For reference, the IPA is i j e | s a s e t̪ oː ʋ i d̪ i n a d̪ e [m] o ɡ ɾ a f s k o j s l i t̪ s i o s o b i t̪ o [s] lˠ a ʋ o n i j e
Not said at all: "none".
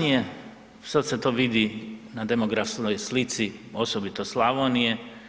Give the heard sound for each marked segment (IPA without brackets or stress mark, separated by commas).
m, s